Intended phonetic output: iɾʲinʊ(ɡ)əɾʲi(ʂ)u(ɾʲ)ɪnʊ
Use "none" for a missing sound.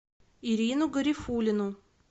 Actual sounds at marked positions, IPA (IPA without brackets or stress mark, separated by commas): ɡ, f, lʲ